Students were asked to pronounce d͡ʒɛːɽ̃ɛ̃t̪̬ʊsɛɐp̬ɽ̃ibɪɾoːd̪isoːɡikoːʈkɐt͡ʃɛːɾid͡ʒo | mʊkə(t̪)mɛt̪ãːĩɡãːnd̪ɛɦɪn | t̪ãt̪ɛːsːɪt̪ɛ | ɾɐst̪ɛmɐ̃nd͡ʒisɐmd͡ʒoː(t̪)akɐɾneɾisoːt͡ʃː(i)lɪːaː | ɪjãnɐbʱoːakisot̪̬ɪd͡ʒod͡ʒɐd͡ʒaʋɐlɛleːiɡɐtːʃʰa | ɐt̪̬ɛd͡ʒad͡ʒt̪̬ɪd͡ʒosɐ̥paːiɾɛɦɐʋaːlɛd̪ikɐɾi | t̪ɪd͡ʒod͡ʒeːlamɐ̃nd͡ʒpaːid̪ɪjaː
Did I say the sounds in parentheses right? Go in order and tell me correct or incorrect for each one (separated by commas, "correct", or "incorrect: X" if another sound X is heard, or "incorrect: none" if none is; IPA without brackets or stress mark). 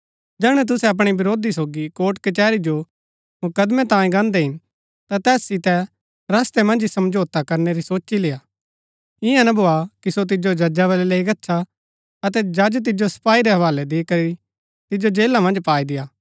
incorrect: d̪, correct, correct